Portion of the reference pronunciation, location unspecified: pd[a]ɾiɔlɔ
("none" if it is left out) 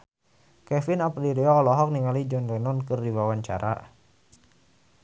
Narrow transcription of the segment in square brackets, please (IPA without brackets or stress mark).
i